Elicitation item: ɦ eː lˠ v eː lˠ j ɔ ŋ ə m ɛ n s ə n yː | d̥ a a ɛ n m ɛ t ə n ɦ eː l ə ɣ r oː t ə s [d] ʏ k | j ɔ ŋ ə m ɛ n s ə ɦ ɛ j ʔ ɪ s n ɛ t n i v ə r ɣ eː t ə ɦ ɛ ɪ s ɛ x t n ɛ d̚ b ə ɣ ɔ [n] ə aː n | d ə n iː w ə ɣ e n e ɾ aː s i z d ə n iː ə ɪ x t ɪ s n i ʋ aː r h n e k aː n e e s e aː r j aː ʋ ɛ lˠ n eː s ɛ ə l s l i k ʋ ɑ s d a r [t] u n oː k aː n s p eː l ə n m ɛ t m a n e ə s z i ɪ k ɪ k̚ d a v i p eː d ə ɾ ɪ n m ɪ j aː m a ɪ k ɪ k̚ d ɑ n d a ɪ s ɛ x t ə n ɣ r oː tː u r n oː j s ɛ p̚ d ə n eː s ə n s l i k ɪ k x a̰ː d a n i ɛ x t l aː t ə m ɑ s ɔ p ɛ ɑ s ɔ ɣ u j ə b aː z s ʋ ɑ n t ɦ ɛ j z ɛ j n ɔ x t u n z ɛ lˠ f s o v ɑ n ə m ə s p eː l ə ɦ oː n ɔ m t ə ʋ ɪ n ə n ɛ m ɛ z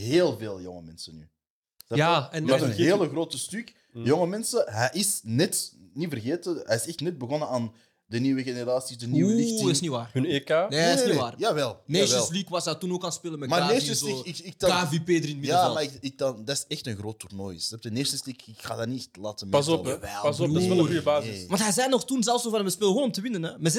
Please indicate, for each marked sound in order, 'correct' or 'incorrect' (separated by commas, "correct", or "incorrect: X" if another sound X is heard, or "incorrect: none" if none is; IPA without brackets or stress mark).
incorrect: t, correct, correct